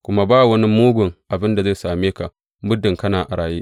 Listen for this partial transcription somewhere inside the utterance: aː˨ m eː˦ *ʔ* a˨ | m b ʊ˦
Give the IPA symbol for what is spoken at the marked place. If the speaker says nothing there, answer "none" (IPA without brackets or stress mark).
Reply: k